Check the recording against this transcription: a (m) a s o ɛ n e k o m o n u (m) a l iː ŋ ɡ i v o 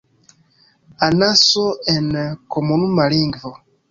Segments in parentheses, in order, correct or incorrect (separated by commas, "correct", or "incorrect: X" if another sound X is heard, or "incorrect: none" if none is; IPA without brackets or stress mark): incorrect: n, correct